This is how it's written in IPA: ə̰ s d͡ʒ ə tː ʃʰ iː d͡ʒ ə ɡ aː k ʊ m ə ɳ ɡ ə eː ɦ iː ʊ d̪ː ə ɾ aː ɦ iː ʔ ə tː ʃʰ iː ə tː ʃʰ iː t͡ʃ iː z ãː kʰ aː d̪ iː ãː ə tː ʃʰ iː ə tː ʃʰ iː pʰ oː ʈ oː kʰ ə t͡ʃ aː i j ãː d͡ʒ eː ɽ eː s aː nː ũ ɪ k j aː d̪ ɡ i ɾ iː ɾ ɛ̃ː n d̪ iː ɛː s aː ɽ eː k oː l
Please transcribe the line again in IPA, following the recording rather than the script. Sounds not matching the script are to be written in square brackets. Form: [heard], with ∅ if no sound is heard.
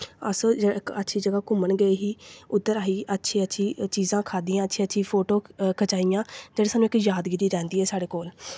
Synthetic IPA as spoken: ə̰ s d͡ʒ ə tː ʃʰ iː d͡ʒ ə ɡ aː k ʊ m ə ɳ ɡ ə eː ɦ iː ʊ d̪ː ə ɾ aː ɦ iː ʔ ə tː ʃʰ iː ə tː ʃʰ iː t͡ʃ iː z ãː kʰ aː d̪ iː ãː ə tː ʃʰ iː ə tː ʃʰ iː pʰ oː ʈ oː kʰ ə t͡ʃ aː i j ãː d͡ʒ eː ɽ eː s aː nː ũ ɪ k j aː d̪ ɡ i ɾ iː ɾ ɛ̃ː n d̪ iː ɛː s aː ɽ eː k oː l